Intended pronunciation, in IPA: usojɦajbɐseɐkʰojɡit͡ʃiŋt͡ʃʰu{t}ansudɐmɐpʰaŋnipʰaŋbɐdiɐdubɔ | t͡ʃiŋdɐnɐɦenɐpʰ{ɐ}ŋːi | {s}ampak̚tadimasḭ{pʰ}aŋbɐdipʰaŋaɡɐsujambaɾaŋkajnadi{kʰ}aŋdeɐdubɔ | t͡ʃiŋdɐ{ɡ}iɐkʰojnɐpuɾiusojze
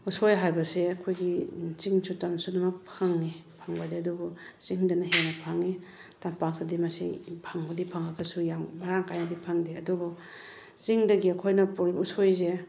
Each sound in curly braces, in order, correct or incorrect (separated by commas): correct, incorrect, incorrect, correct, incorrect, correct